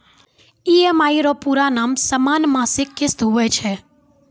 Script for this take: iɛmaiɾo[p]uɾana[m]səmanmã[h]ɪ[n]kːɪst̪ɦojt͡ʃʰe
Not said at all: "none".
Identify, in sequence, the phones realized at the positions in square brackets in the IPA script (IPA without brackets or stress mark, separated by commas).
p, m, s, none